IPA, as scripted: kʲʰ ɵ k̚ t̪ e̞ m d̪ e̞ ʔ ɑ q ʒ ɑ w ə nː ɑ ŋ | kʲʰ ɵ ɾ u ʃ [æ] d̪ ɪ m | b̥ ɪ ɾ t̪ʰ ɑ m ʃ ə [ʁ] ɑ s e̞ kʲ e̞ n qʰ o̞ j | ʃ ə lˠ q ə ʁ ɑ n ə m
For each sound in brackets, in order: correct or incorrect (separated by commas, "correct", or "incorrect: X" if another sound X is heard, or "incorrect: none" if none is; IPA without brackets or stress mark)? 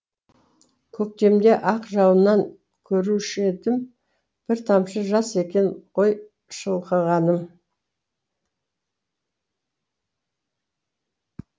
incorrect: e, incorrect: ʒ